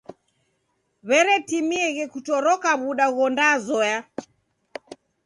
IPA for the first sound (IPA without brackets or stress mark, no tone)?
β